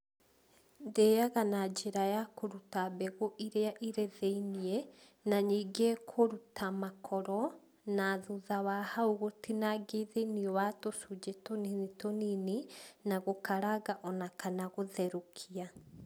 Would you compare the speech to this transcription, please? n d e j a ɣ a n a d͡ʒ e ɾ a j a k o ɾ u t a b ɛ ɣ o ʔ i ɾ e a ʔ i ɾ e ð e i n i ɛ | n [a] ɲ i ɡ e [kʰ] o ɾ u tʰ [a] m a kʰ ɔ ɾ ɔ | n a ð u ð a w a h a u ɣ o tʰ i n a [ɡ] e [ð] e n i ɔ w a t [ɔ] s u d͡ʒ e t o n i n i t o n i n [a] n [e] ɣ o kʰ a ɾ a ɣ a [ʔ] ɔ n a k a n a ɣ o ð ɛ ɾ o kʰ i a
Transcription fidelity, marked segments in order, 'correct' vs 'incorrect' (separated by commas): correct, correct, correct, correct, correct, incorrect, incorrect, incorrect, correct